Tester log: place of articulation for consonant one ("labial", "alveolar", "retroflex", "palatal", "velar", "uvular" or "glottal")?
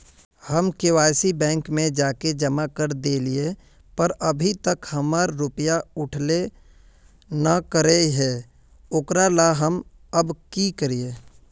glottal